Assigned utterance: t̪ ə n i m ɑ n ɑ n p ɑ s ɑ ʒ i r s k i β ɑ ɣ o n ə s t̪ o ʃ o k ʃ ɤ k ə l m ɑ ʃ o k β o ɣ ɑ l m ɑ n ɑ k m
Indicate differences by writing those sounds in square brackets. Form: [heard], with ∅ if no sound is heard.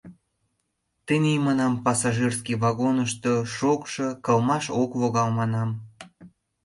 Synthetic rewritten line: t̪ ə n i m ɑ n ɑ [m] p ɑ s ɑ ʒ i r s k i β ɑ ɣ o n ə [ʃ] t̪ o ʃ o k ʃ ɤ k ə l m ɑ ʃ o k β o ɣ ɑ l m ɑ n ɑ [∅] m